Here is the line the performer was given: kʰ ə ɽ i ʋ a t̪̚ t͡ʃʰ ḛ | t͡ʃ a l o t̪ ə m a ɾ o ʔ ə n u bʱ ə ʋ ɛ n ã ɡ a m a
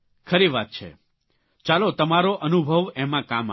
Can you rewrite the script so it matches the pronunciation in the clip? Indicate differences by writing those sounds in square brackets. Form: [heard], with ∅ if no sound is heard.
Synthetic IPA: kʰ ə [ɾ] i ʋ a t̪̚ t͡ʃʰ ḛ | t͡ʃ a l o t̪ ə m a ɾ o ʔ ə n u bʱ ə ʋ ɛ [m] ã [k] a m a